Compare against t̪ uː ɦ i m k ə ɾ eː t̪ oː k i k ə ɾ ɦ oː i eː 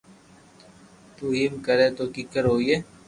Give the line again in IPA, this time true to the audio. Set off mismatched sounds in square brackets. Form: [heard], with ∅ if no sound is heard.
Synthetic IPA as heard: t̪ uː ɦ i m k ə ɾ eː t̪ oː k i k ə ɾ ɦ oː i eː

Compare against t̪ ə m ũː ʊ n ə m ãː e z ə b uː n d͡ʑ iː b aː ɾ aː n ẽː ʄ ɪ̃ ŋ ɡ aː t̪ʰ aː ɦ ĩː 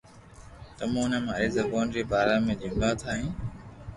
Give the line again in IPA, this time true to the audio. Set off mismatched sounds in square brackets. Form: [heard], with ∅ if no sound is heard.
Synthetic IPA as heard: t̪ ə m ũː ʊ n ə m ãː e z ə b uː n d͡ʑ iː b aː ɾ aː [m] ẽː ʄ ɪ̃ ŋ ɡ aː t̪ʰ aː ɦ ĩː

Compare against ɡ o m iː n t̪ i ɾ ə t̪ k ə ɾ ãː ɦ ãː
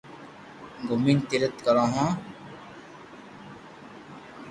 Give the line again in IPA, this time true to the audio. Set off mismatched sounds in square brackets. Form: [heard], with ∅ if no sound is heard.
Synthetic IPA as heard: ɡ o m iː n t̪ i ɾ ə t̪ k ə ɾ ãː ɦ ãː

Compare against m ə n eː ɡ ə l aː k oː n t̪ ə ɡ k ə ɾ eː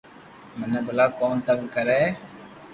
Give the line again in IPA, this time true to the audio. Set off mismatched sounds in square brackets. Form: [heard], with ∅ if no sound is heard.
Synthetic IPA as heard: m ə n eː [b] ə l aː k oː n t̪ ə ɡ k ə ɾ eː

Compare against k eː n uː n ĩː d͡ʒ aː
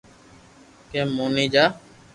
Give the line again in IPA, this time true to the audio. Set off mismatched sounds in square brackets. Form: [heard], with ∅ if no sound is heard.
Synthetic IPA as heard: k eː [m] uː n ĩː d͡ʒ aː

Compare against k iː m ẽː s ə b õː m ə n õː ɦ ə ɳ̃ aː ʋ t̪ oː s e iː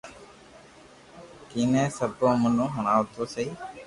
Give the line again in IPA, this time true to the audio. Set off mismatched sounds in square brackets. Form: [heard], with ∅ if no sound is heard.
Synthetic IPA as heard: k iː [n] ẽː s ə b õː m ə n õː ɦ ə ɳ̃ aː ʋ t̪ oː s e iː

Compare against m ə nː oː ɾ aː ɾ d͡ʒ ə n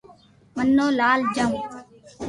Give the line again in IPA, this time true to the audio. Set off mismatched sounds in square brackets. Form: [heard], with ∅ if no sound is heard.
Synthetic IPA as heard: m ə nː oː [l] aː [l] d͡ʒ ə [m]

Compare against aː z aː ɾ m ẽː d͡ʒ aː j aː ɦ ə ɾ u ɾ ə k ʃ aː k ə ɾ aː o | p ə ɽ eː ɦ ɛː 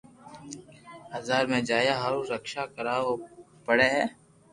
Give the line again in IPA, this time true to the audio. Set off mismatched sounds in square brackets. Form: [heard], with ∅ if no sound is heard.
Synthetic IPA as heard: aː z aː ɾ m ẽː d͡ʒ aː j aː ɦ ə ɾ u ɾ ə k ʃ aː k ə ɾ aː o | p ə ɽ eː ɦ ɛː

